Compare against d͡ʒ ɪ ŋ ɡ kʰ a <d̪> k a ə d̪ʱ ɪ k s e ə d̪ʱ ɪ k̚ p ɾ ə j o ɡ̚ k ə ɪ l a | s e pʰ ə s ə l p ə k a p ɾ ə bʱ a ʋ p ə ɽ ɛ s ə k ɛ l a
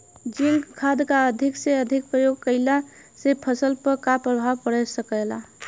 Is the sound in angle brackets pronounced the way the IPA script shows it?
yes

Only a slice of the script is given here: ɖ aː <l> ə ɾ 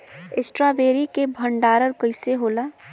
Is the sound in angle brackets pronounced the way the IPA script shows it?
no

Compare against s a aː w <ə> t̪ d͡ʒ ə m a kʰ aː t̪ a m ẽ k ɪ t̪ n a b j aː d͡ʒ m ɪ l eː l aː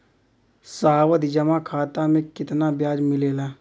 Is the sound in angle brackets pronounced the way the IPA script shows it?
yes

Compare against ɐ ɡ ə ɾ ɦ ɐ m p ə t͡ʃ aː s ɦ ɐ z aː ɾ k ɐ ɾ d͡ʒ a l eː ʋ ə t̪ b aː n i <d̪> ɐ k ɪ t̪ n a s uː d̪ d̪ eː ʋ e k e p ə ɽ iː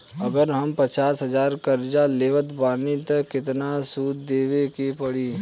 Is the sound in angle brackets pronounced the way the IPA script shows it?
no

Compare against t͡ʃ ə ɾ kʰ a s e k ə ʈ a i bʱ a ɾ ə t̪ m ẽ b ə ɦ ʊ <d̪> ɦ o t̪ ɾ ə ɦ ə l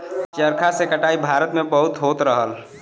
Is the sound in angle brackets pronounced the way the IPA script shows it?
no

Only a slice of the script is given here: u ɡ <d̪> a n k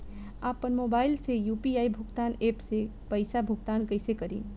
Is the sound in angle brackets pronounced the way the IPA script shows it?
no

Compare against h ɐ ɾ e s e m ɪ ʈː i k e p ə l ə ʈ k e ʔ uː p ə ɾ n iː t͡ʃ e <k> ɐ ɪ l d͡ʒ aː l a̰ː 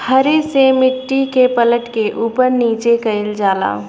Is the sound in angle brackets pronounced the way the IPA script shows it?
yes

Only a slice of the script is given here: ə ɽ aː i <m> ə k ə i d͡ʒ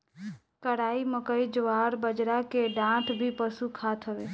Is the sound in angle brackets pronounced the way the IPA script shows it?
yes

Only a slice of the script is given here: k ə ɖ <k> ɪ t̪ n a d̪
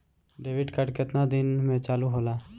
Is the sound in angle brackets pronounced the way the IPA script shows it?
yes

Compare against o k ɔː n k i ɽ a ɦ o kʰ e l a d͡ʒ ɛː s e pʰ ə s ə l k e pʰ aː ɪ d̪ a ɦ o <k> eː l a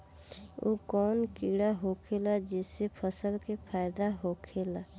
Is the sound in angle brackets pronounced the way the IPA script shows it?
no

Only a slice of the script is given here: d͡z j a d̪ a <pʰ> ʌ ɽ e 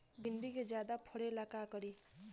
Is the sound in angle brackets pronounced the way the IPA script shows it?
yes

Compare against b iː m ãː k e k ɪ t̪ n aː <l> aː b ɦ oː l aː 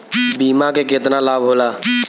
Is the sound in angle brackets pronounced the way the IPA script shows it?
yes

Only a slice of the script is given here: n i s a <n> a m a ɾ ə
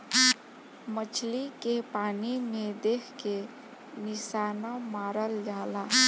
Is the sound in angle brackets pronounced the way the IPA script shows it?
yes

